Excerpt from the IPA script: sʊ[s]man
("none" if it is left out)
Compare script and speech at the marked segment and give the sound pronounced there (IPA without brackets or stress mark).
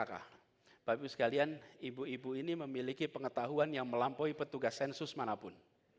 s